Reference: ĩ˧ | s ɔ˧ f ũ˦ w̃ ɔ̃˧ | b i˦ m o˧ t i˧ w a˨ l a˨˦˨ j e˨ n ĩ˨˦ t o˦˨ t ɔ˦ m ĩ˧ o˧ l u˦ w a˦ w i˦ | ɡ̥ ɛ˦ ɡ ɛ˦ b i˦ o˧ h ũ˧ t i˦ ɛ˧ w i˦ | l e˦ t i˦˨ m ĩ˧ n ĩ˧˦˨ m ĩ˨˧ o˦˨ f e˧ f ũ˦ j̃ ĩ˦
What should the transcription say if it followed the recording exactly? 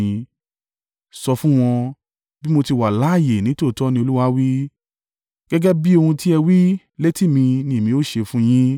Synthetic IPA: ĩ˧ | s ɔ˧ f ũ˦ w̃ ɔ̃˧ | b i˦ m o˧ t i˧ w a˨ l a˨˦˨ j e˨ n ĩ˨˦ t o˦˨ t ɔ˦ n ĩ˧ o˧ l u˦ w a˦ w i˦ | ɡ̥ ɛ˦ ɡ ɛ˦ b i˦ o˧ h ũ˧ t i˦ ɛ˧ w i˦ | l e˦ t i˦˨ m ĩ˧ n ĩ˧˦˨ m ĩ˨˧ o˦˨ ʃ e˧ f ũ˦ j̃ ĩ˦